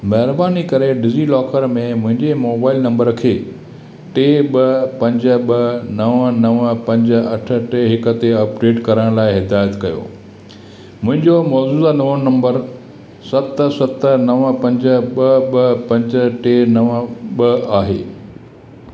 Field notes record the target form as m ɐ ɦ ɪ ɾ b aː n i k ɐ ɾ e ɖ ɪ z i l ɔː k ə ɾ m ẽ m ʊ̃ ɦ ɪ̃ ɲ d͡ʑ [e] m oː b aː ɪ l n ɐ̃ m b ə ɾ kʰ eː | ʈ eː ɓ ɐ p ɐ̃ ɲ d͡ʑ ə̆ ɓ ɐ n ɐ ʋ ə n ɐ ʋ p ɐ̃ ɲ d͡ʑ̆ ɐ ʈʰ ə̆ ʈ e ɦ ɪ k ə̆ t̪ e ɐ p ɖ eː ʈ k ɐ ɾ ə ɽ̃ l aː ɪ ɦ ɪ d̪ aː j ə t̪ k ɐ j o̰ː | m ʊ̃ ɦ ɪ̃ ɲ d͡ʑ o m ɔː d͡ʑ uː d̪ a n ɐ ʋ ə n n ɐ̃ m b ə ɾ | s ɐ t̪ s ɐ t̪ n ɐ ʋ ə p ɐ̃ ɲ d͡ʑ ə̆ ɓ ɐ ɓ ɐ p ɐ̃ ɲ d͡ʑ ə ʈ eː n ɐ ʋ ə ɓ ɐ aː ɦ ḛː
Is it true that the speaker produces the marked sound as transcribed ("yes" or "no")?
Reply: yes